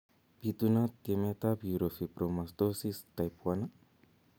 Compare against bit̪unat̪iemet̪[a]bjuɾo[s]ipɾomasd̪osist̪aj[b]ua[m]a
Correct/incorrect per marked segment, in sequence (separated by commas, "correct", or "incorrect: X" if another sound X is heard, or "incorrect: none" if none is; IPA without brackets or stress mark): correct, incorrect: f, incorrect: p, incorrect: n